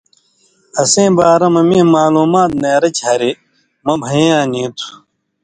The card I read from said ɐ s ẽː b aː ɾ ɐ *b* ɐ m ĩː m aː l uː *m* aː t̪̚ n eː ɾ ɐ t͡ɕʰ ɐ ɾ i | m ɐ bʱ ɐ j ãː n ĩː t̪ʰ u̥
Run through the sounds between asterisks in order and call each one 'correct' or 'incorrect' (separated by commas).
incorrect, correct